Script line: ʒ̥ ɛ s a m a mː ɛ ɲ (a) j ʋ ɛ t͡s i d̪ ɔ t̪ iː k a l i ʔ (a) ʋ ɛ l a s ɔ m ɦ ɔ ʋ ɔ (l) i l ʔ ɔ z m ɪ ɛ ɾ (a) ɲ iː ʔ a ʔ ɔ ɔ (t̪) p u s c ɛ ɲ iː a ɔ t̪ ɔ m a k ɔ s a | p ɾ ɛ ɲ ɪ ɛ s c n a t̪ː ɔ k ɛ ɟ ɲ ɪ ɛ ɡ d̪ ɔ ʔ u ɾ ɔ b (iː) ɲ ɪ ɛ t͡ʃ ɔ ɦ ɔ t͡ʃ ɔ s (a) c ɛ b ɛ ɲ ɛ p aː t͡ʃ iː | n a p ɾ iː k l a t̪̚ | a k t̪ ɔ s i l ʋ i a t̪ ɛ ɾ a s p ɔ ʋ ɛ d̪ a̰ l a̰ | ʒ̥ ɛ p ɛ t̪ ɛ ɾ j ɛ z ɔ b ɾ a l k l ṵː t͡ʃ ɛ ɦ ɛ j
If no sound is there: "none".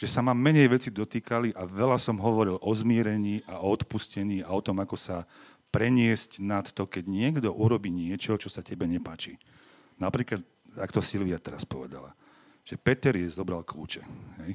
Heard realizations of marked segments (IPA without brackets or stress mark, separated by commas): ɛ, a, ɾ, ɛ, t̪, iː, a